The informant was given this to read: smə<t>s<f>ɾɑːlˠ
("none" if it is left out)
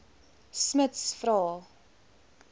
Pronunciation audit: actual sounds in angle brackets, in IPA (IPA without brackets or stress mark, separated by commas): t, f